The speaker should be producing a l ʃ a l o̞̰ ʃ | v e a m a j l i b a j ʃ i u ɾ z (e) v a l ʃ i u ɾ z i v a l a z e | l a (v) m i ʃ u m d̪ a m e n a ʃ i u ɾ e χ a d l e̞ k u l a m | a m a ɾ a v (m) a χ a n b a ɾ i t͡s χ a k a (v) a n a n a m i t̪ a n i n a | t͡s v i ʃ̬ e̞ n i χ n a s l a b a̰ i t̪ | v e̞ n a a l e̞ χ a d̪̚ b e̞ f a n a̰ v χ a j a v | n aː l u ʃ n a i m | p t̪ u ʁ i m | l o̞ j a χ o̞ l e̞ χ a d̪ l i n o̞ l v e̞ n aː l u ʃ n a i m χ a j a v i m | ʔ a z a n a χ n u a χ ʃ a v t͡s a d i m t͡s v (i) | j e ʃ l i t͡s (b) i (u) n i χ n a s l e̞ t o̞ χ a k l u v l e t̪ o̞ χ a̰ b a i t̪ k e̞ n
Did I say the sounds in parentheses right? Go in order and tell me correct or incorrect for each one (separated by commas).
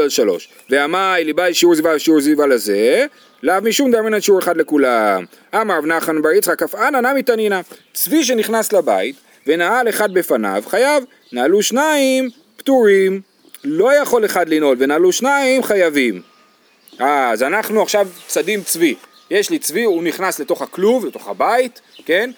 incorrect, correct, incorrect, incorrect, correct, incorrect, correct